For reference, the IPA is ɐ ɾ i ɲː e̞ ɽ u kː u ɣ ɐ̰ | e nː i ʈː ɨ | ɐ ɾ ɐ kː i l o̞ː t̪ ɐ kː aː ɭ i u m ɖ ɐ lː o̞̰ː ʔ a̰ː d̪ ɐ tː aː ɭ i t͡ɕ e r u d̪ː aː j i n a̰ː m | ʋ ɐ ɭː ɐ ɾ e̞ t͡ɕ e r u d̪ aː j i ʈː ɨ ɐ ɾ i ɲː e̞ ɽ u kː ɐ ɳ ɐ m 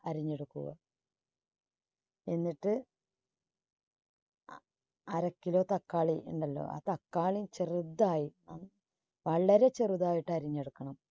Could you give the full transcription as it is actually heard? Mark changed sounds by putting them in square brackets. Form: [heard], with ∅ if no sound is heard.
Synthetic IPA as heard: ɐ ɾ i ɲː e̞ ɽ u kː u ɣ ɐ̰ | e nː i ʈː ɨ | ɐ ɾ ɐ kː i l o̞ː t̪ ɐ kː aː ɭ i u [ɳ] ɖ ɐ lː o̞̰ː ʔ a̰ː [t̪] ɐ [kː] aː ɭ i t͡ɕ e r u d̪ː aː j i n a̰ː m | ʋ ɐ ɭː ɐ ɾ e̞ t͡ɕ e r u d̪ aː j i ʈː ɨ ɐ ɾ i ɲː e̞ ɽ u kː ɐ ɳ ɐ m